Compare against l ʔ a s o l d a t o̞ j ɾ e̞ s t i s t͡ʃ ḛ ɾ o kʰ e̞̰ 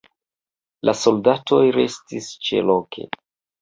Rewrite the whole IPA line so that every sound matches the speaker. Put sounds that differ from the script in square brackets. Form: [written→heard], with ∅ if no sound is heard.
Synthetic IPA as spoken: l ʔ a s o l d a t o̞ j ɾ e̞ s t i s t͡ʃ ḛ [ɾ→l] o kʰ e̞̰